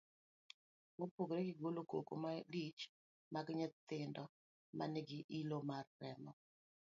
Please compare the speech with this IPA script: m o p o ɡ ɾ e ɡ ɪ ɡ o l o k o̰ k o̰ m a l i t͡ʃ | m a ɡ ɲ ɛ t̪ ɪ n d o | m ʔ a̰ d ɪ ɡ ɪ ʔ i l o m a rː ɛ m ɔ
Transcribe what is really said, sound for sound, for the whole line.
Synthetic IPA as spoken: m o p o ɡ ɾ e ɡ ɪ ɡ o l o k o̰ k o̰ m a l i t͡ʃ | m a ɡ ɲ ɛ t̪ ɪ n d ɔ | m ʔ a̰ n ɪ ɡ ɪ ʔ i l o m a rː ɛ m ɔ